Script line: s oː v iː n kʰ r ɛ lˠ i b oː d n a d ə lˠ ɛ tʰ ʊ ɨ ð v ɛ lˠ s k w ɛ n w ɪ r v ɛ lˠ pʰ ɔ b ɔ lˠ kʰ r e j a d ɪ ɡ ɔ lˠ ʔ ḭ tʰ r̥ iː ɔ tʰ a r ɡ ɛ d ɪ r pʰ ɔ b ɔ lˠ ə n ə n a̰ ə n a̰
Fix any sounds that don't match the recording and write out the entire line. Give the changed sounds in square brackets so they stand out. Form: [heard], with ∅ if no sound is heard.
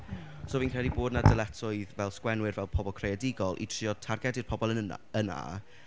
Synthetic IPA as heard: s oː v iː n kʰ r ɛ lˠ i b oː d n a d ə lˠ ɛ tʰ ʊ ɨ ð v ɛ lˠ s k w ɛ n w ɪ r v ɛ lˠ pʰ ɔ b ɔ lˠ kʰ r e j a d ɪ ɡ ɔ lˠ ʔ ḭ tʰ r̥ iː ɔ tʰ a r ɡ ɛ d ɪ r pʰ ɔ b ɔ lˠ ə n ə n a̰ ə n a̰